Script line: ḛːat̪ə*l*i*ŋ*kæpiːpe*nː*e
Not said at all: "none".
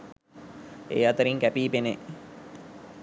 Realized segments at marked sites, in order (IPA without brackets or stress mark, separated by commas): ɾ, ŋ, n